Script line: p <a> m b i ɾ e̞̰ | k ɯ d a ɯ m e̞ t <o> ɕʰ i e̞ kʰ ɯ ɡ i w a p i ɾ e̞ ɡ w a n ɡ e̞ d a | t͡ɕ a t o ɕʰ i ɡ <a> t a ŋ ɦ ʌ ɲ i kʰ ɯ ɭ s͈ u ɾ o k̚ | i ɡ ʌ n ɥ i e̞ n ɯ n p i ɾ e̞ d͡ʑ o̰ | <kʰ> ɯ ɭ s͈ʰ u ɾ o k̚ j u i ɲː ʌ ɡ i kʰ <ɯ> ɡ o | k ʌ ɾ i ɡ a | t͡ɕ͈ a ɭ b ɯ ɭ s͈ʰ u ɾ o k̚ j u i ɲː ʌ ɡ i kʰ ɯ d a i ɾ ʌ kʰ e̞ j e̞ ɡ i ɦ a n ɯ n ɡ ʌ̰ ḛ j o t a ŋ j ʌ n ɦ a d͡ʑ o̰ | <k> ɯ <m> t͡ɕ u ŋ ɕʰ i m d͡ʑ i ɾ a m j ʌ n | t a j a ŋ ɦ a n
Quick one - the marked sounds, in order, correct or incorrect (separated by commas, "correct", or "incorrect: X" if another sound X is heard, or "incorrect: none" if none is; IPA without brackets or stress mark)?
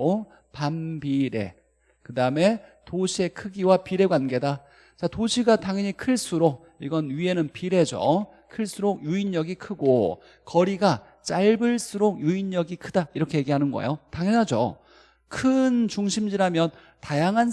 correct, correct, correct, correct, correct, incorrect: kʰ, incorrect: n